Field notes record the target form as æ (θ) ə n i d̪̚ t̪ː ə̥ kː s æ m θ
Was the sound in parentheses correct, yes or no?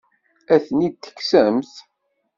yes